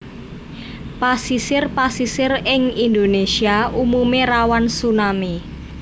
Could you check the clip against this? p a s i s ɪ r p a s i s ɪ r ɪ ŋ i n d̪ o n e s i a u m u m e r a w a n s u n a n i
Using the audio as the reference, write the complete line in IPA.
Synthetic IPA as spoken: p a s i s ɪ r p a s i s ɪ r ɪ ŋ i n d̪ o n e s i a u m u m e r a w a n s u n a m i